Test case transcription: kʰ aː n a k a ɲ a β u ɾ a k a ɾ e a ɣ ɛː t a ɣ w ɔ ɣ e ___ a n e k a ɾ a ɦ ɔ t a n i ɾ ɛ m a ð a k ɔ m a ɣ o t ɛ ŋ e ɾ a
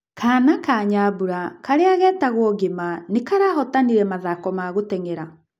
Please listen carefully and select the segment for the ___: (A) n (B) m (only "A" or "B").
B